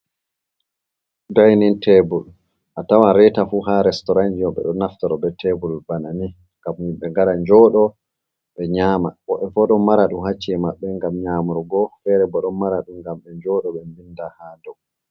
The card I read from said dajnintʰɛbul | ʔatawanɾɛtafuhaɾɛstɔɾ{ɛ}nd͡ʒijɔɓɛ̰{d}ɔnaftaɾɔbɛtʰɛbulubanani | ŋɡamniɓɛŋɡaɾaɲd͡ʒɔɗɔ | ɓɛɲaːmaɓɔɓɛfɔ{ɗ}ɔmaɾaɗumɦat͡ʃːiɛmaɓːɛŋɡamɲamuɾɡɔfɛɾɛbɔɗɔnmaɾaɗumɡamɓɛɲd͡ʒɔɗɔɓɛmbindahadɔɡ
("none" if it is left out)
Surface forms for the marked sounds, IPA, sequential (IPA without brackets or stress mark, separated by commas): a, ɗ, ɗ